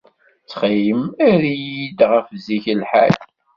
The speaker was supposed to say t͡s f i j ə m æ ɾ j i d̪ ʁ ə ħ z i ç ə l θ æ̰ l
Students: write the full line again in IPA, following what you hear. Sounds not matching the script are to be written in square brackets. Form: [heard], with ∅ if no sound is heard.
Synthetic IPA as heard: t͡s [χ] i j ə m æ ɾ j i d̪ ʁ ə [f] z i ç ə l [ħ] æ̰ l